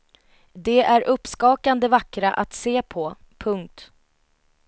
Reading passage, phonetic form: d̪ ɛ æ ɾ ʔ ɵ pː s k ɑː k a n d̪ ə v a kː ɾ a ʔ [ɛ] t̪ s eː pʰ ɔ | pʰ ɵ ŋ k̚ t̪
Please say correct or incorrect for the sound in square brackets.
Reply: incorrect